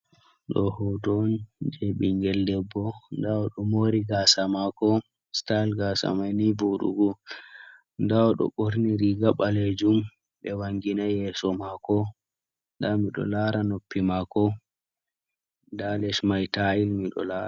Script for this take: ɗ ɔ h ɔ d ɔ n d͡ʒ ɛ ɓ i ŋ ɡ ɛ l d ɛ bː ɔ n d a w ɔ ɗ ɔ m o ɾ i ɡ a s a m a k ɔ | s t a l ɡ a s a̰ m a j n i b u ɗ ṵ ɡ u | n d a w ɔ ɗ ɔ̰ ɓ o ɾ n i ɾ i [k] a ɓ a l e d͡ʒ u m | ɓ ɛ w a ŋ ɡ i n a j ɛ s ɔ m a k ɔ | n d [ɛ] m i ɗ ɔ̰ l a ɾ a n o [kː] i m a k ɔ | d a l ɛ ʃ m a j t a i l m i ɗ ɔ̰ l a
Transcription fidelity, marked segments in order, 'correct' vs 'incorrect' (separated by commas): incorrect, incorrect, incorrect